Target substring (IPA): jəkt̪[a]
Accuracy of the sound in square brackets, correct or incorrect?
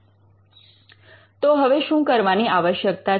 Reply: correct